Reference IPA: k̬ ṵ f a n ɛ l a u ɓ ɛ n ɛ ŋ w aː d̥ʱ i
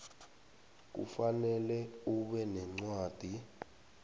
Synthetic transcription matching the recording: k̬ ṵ f a n ɛ l ɛ u ɓ ɛ n ɛ ŋ͡ǀ w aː d̥ʱ i